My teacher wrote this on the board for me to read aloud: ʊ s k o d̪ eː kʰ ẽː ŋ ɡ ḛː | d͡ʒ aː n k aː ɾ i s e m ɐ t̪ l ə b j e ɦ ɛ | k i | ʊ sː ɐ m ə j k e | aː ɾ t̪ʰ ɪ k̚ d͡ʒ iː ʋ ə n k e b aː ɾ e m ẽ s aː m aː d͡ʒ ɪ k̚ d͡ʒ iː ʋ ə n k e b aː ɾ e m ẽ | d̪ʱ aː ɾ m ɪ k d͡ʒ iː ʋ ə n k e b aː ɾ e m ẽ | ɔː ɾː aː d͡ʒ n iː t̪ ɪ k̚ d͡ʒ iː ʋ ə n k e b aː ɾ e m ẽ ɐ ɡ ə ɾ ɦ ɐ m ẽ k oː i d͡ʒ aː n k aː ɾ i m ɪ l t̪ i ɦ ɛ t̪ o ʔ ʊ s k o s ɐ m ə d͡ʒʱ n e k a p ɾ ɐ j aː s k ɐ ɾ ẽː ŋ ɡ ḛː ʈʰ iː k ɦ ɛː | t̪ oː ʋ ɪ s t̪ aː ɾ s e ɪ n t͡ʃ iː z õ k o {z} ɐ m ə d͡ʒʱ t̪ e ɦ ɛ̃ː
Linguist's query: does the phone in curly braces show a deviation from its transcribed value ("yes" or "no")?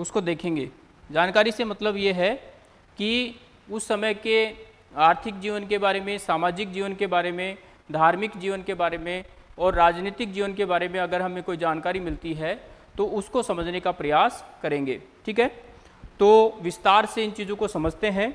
yes